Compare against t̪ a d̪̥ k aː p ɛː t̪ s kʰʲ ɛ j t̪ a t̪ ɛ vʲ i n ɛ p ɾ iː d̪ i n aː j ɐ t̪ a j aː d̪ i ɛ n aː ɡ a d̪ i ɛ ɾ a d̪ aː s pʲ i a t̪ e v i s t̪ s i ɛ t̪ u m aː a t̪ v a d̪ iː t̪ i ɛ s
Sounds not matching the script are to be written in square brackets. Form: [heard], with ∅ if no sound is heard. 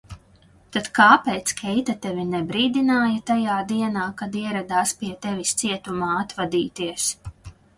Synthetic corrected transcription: t̪ a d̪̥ k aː p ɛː t̪ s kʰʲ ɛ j t̪ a t̪ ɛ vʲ i n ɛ [b] ɾ iː d̪ i n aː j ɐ t̪ a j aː d̪ i ɛ n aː [k] a d̪ i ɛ ɾ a d̪ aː s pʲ i [ɛ] t̪ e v i s t̪ s i ɛ t̪ u m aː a t̪ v a d̪ iː t̪ i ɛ s